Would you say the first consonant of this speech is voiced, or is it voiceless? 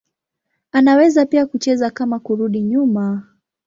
voiced